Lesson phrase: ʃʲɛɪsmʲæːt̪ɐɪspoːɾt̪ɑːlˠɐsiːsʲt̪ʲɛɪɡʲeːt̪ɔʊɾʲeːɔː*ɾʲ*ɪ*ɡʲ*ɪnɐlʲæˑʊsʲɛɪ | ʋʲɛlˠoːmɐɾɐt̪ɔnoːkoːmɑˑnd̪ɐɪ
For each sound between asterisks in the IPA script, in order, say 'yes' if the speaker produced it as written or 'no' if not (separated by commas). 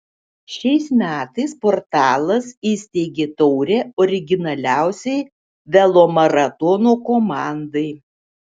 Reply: yes, yes